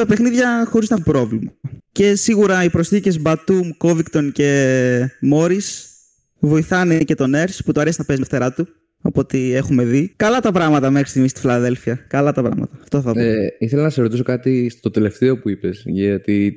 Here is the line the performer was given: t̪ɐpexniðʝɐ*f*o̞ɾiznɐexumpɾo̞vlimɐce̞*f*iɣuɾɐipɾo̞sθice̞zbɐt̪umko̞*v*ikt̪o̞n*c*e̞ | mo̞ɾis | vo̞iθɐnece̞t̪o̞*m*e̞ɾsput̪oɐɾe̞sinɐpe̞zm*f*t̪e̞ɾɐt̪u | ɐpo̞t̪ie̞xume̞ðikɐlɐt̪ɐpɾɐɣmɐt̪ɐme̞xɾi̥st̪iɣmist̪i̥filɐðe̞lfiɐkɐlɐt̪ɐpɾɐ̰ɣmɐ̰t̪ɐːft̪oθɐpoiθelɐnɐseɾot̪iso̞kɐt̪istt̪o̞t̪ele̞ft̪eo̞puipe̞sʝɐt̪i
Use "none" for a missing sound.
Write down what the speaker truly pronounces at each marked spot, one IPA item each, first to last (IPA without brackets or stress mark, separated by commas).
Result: x, s, v, c, n, f